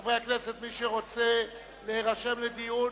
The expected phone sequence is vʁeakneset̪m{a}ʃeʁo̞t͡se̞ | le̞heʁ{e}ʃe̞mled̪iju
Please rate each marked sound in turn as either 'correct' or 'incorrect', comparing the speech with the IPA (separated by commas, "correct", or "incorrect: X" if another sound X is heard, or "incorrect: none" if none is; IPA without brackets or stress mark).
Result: incorrect: i, incorrect: a